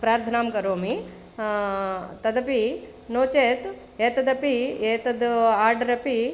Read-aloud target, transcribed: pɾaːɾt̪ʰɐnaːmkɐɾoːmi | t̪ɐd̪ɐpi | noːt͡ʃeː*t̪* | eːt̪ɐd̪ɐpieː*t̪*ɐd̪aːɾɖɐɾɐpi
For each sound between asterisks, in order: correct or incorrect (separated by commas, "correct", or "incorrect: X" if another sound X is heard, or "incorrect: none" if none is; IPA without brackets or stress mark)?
correct, correct